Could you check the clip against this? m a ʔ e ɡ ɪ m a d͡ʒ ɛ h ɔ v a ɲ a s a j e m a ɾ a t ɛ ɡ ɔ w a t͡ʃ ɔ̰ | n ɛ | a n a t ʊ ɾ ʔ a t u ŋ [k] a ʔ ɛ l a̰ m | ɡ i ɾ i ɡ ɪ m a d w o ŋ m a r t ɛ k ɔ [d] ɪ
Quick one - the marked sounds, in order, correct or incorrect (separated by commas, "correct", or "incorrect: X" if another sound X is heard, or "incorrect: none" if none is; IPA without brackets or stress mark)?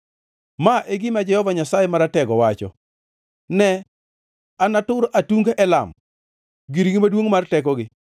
incorrect: ɡ, incorrect: ɡ